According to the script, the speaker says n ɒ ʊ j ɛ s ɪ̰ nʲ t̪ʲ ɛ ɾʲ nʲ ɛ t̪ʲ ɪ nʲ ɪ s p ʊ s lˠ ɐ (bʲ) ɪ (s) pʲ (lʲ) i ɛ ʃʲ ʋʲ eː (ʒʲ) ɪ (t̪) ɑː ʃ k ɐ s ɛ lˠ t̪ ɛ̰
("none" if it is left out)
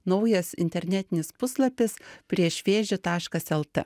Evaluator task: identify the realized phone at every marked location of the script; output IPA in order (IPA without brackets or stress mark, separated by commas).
pʲ, s, ɾʲ, ʒʲ, t̪